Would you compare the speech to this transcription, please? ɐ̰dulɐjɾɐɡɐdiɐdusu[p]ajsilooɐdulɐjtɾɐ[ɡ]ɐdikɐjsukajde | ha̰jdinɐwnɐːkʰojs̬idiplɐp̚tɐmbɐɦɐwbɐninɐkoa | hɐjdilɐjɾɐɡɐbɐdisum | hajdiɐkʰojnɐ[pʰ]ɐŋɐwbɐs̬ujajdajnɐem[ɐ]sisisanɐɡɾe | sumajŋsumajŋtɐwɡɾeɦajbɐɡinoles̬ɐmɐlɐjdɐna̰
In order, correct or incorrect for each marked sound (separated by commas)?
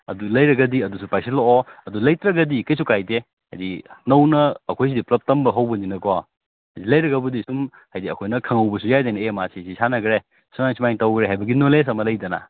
correct, correct, incorrect, incorrect